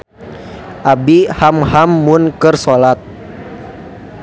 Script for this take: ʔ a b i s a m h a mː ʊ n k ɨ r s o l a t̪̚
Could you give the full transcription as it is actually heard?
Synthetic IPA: ʔ a b i h a m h a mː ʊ n k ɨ r s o l a t̪̚